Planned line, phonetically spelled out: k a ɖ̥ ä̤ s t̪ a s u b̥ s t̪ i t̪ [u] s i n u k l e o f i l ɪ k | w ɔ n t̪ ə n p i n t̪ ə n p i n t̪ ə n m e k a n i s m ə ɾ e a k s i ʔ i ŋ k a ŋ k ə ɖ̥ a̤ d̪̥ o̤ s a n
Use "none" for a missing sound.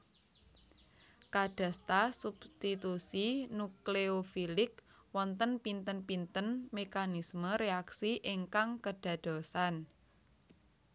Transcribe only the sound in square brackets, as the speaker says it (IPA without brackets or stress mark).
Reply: u